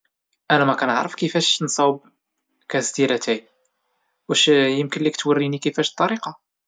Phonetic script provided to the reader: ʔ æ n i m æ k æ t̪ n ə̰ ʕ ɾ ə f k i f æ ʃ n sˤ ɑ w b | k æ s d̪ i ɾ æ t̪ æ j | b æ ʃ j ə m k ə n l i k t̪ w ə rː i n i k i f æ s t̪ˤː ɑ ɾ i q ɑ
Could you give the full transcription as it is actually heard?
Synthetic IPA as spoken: ʔ æ n æ m æ k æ n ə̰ ʕ ɾ ə f k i f æ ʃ n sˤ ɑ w b | k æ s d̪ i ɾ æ t̪ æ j | w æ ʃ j ə m k ə n l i k t̪ w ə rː i n i k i f æ ʃ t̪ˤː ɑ ɾ i q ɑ

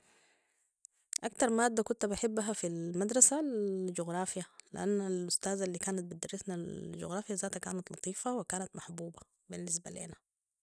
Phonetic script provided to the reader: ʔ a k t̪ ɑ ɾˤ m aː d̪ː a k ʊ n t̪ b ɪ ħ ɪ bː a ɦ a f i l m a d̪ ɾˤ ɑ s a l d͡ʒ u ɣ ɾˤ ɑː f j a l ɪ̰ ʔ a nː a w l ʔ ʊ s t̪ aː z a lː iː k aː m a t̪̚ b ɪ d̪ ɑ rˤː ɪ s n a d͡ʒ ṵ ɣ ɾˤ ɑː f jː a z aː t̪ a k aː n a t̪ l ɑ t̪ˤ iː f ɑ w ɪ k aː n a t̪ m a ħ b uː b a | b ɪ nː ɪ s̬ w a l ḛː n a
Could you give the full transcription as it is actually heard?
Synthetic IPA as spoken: ʔ a k t̪ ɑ ɾˤ m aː d̪ː a k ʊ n t̪ b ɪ ħ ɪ bː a ɦ a f i l m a d̪ ɾˤ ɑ s a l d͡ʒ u ɣ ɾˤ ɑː f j a l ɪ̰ ʔ a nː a l ʔ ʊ s t̪ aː z a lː iː k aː n a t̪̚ b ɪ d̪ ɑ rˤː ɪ s n a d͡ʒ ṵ ɣ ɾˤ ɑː f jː a z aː t̪ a k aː n a t̪ l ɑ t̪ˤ iː f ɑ w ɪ k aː n a t̪ m a ħ b uː b a | b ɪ nː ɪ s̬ b a l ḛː n a

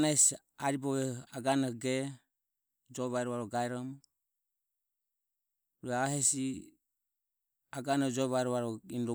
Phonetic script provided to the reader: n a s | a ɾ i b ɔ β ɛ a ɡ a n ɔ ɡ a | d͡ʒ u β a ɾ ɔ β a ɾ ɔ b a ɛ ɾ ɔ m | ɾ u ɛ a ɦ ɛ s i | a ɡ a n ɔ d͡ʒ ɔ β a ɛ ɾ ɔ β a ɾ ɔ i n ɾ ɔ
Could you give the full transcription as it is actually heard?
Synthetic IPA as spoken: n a s | a ɾ i b ɔ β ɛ a ɡ a n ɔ ɡ ɛ | d͡ʒ ɔ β a ɾ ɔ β a ɾ ɔ ɡ a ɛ ɾ ɔ m | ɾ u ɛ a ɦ ɛ s i | a ɡ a n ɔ d͡ʒ ɔ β a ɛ ɾ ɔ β a ɾ ɔ i n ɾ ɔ

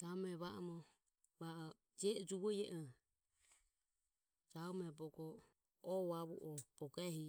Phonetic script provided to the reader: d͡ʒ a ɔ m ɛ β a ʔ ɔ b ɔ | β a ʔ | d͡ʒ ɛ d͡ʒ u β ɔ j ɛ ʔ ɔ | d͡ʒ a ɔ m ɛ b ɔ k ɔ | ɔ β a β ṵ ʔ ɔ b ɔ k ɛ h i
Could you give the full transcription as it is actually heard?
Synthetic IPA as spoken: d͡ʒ a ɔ m ɛ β a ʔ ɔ m ɔ | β a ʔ | d͡ʒ ɛ d͡ʒ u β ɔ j ɛ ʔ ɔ | d͡ʒ a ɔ m ɛ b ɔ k ɔ | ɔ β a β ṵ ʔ ɔ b ɔ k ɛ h i

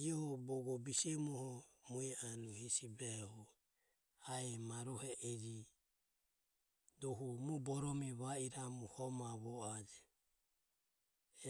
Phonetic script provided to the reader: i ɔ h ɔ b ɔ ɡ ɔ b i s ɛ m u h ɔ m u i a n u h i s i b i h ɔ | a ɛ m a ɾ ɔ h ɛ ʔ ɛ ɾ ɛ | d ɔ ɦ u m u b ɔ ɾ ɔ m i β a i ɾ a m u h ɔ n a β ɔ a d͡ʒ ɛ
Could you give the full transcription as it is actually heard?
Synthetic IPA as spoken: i ɔ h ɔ b ɔ ɡ ɔ b i s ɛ m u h ɔ m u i a n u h i s i b ɛ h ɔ | a ɛ m a ɾ ɔ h ɛ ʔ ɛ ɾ i | d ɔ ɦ u m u b ɔ ɾ ɔ m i β a i ɾ a m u h ɔ m a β ɔ a d͡ʒ ɛ

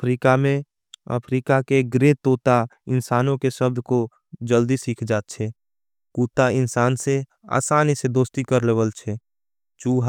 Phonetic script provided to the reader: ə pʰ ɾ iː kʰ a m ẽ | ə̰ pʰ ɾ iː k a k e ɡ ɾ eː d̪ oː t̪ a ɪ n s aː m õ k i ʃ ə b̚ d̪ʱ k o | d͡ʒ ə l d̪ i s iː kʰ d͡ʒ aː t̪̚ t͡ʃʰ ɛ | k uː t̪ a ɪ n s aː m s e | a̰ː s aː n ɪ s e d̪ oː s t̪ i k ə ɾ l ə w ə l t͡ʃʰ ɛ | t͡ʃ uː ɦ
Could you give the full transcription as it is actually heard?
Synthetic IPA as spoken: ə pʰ ɾ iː k a m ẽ | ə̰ pʰ ɾ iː k a k e ɡ ɾ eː t̪ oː t̪ a ɪ n s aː n õ k e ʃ ə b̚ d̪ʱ k o | d͡ʒ ə l d̪ i s iː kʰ d͡ʒ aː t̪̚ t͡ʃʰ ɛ | k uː t̪ a ɪ n s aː n s e | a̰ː s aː n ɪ s e d̪ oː s t̪ i k ə ɾ l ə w ə l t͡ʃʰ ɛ | t͡ʃ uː ɦ

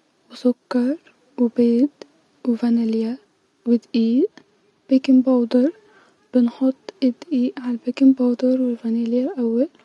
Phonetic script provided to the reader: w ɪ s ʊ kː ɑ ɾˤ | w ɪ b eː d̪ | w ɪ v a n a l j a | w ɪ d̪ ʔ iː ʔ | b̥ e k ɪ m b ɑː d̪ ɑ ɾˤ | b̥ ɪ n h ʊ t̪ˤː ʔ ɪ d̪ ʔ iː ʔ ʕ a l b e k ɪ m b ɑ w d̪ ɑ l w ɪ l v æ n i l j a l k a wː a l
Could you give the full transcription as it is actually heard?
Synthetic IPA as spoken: w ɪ s ʊ kː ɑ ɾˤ | w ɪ b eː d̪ | w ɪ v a n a l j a | w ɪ d̪ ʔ iː ʔ | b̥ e k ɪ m b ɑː d̪ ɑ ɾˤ | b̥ ɪ n ħ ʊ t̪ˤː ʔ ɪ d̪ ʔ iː ʔ ʕ a l b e k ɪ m b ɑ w d̪ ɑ ɾ w ɪ l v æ n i l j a l ʔ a wː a l

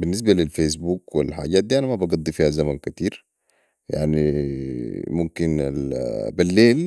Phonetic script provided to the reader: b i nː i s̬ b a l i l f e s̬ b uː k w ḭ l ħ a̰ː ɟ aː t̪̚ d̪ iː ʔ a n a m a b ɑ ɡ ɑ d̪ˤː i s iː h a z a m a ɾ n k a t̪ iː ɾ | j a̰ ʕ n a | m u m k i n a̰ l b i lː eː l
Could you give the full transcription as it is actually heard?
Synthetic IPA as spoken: b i nː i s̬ b a l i l f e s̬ b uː k w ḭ l ħ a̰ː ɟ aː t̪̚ d̪ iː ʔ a n a m a b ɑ ɡ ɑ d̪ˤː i f iː h a z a m a n k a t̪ iː ɾ | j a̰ ʕ n i | m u m k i n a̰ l b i lː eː l

